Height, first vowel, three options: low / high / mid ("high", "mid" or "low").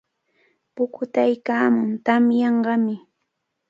high